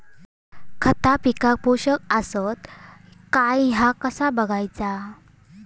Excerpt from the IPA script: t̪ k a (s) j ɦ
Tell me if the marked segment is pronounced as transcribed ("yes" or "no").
no